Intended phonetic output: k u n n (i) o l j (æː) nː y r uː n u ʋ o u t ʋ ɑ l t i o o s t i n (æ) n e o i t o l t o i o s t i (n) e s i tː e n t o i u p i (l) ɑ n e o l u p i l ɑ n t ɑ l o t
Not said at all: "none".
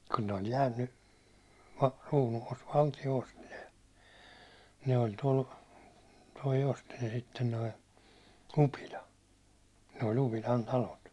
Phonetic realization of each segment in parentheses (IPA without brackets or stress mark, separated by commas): e, æː, e, n, l